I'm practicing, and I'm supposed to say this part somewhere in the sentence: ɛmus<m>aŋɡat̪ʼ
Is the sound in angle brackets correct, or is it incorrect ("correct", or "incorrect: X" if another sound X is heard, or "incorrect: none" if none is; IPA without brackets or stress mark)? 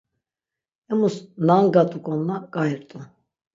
incorrect: n